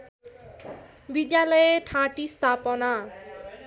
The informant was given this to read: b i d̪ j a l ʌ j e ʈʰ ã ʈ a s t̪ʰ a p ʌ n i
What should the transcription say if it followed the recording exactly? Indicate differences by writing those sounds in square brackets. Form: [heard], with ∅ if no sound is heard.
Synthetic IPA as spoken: b i d̪ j a l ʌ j e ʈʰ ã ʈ [i] s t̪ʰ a p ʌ n [a]